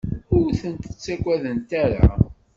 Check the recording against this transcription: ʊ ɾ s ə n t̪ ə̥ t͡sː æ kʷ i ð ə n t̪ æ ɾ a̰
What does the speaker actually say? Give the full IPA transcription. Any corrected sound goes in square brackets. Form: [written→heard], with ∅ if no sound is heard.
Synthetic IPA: ʊ ɾ [s→θ] ə n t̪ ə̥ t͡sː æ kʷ [i→æ] ð ə n t̪ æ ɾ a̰